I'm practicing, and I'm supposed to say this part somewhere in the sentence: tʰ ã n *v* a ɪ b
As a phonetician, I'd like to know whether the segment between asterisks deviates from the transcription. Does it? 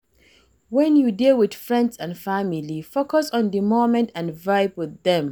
no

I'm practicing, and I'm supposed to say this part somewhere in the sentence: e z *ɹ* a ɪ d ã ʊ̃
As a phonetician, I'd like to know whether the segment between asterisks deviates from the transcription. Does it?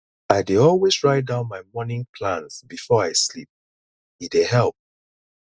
no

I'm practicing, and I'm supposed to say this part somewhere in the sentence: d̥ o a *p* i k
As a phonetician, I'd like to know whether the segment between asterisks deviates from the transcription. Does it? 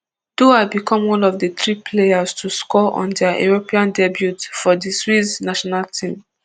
yes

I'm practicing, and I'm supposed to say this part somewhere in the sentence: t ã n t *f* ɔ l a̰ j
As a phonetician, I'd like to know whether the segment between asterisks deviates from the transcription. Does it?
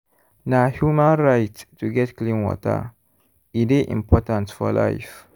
no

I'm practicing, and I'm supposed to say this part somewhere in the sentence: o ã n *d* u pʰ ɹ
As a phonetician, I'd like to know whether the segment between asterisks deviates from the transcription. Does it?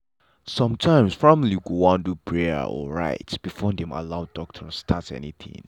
no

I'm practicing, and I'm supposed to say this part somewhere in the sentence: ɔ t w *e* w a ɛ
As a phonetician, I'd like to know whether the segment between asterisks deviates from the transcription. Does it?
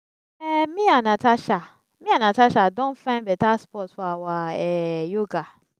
yes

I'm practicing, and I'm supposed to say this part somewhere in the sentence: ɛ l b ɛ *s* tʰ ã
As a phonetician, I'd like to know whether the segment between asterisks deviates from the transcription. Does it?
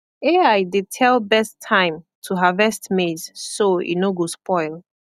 no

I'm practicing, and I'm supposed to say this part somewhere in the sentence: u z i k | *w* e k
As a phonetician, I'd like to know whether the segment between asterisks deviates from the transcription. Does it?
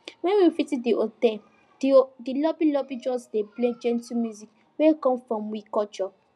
no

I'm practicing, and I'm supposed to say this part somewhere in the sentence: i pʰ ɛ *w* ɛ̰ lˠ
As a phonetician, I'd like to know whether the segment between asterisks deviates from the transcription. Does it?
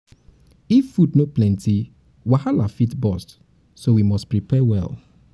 no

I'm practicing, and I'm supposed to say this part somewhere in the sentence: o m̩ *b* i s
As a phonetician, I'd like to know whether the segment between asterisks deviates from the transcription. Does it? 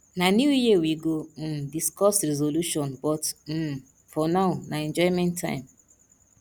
yes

